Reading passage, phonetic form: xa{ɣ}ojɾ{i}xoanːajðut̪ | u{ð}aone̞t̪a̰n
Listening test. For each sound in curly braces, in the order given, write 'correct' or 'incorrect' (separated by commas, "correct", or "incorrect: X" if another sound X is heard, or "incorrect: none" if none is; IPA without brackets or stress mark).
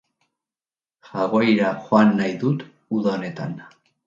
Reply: correct, incorrect: a, correct